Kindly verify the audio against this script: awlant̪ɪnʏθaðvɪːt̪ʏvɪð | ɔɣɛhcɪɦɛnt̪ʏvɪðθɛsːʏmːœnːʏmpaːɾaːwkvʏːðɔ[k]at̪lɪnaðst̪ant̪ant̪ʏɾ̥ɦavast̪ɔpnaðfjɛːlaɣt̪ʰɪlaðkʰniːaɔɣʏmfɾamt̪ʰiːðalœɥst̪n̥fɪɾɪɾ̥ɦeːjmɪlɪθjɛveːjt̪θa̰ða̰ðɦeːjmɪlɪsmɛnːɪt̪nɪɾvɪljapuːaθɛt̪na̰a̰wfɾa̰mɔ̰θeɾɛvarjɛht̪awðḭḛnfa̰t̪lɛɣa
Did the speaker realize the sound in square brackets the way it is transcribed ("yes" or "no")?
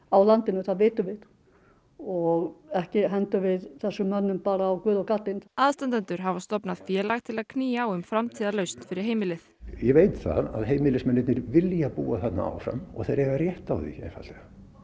yes